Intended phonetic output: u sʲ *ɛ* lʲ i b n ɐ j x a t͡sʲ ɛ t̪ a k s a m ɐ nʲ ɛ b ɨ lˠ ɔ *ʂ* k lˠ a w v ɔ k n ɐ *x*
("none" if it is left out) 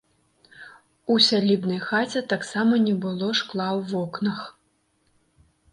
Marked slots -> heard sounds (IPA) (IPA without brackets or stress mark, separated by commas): a, ʂ, x